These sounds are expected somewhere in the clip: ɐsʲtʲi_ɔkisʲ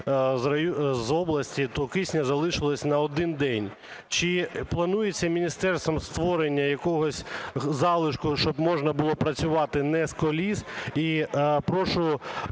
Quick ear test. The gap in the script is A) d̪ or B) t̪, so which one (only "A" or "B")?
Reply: B